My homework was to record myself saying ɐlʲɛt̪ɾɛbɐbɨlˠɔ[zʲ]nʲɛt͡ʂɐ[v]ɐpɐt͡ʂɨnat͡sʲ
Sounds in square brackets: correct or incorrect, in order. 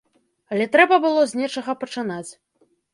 correct, incorrect

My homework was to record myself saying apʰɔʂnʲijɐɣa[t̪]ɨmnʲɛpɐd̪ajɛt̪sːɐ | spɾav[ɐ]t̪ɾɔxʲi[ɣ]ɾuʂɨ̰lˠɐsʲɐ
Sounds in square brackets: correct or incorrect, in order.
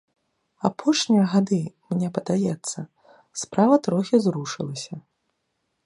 incorrect, correct, incorrect

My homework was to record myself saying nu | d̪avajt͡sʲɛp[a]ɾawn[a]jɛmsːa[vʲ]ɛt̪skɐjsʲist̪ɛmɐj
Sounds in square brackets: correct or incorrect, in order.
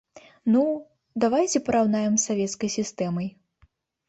incorrect, correct, correct

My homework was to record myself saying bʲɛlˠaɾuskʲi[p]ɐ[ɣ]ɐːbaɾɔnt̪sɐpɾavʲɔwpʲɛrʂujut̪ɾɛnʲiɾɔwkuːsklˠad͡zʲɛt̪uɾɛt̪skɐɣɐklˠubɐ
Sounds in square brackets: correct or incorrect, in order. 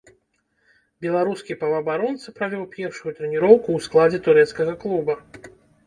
correct, incorrect

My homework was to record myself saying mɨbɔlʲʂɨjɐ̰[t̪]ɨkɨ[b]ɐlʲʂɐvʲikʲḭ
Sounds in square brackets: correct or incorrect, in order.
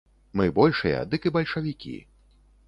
incorrect, correct

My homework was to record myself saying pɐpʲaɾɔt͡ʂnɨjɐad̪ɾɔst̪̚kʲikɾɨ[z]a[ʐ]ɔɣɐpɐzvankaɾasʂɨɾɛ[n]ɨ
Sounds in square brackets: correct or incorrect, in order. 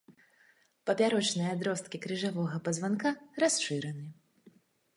incorrect, incorrect, correct

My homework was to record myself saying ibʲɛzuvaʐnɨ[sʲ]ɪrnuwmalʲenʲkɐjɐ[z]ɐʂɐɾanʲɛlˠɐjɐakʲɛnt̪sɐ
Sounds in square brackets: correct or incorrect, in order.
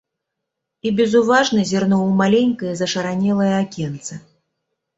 incorrect, correct

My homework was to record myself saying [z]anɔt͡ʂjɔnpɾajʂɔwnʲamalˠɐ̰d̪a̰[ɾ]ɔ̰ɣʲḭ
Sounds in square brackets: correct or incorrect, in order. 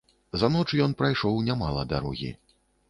correct, correct

